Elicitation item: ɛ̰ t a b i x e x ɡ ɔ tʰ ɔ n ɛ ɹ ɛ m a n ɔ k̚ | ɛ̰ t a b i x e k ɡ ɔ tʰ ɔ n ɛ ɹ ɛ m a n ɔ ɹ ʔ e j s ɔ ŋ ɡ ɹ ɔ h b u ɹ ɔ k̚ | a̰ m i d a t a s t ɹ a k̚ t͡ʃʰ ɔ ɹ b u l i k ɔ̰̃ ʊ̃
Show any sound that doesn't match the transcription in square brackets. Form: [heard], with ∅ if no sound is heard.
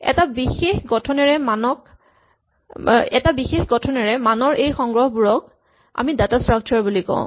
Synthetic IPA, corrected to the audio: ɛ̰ t a b i x e x ɡ ɔ tʰ ɔ n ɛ ɹ ɛ m a n ɔ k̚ | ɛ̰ t a b i x e [x] ɡ ɔ tʰ ɔ n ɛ ɹ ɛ m a n ɔ ɹ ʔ e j [x] ɔ ŋ ɡ ɹ ɔ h b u ɹ ɔ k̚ | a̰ m i d a t a s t ɹ a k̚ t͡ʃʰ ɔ ɹ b u l i k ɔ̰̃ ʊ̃